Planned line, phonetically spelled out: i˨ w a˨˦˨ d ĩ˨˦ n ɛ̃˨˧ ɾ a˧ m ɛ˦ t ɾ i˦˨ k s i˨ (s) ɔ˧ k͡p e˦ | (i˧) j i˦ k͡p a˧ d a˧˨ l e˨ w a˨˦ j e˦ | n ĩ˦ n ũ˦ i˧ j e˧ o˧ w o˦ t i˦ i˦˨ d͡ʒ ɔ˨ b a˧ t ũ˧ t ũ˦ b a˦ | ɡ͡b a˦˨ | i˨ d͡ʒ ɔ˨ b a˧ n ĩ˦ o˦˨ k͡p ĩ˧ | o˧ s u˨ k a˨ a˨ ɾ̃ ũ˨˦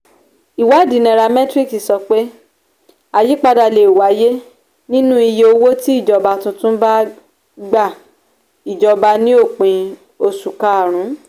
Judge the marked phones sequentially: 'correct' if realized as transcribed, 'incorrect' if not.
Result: correct, incorrect

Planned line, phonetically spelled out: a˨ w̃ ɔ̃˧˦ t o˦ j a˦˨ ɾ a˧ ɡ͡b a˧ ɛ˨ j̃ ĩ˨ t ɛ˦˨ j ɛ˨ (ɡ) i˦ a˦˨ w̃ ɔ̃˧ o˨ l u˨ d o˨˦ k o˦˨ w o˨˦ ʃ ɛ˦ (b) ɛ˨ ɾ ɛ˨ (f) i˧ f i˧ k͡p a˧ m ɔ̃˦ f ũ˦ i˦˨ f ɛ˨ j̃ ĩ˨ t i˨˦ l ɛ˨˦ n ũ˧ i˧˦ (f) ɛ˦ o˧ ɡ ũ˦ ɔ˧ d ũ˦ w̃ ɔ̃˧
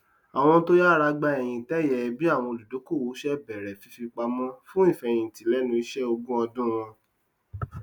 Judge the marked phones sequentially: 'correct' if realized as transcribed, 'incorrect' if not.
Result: incorrect, correct, correct, incorrect

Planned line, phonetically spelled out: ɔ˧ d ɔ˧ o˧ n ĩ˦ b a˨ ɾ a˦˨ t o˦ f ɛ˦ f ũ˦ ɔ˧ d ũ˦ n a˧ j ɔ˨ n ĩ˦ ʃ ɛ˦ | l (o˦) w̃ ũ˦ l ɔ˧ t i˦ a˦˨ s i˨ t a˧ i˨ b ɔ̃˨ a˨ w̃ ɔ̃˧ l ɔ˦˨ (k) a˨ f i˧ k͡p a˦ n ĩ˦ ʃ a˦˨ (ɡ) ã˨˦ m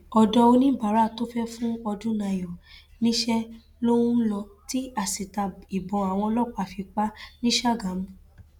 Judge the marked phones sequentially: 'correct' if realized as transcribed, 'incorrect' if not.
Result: correct, incorrect, correct

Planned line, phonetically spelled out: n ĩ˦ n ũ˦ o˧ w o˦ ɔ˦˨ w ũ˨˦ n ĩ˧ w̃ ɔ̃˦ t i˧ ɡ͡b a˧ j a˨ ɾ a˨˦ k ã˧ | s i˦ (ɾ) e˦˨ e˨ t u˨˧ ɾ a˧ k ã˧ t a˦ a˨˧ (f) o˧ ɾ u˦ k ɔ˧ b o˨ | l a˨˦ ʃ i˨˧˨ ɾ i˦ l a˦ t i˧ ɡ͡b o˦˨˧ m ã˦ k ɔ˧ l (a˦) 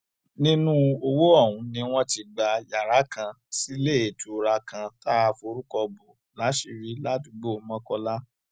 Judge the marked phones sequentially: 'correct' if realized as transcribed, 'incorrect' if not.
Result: incorrect, correct, correct

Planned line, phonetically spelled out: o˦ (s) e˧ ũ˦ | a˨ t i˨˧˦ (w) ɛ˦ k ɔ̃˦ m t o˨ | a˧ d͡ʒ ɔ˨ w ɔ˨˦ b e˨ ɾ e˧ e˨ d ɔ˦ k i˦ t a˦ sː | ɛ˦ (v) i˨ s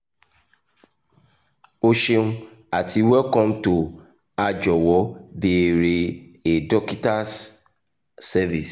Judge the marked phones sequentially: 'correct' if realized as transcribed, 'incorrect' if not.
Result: incorrect, correct, correct

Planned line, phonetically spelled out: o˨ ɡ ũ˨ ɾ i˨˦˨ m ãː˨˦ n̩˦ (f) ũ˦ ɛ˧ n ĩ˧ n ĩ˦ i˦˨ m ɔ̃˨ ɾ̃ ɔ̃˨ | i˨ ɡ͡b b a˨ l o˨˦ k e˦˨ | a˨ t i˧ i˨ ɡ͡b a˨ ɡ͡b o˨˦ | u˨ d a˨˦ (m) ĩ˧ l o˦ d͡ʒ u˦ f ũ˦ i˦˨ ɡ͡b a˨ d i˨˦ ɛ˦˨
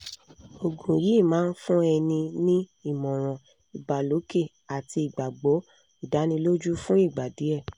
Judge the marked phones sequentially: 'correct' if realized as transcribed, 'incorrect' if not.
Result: correct, incorrect

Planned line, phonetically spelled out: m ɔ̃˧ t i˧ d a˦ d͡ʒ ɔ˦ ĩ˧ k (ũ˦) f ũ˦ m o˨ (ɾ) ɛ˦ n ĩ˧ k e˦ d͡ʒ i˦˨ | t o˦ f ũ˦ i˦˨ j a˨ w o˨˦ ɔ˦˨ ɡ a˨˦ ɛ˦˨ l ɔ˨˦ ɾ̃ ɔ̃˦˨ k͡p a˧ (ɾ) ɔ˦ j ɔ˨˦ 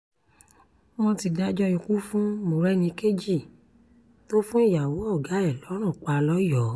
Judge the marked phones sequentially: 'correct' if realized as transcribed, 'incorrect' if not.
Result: incorrect, correct, incorrect

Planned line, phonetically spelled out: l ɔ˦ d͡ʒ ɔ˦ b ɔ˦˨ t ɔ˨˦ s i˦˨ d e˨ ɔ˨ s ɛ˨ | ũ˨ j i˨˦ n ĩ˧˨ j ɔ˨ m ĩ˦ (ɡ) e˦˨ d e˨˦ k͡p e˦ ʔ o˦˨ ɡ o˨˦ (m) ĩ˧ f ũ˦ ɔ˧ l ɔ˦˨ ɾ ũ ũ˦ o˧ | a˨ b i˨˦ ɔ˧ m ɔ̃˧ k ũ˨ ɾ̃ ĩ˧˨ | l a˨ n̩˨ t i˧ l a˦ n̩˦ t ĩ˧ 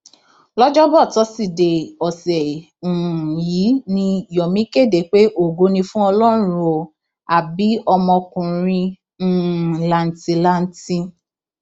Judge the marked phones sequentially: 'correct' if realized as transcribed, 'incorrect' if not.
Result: incorrect, incorrect

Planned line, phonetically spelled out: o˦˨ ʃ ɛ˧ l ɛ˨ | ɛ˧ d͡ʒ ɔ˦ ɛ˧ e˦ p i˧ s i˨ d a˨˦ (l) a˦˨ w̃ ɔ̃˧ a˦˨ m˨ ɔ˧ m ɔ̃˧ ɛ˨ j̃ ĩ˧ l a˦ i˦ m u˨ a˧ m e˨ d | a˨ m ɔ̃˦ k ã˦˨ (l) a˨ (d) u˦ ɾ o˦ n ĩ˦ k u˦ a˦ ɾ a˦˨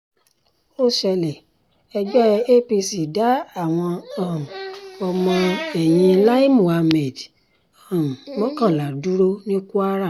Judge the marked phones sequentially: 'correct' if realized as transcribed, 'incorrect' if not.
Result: incorrect, correct, correct

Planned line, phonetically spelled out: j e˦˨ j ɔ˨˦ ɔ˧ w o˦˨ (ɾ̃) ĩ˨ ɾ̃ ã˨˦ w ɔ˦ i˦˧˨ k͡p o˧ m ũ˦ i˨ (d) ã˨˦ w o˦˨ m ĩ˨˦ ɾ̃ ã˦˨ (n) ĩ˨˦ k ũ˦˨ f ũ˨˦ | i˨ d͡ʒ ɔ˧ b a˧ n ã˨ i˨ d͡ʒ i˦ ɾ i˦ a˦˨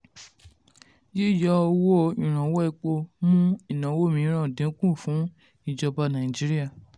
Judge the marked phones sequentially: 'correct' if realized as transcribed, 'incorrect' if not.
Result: incorrect, incorrect, incorrect

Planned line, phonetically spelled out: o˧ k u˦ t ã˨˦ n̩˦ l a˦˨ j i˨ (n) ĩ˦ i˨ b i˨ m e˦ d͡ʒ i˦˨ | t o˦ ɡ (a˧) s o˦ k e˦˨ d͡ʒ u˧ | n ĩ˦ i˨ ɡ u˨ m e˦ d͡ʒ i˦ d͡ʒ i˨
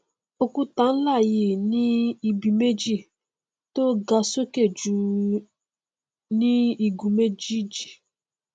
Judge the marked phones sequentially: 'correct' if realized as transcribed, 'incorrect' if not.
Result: correct, correct

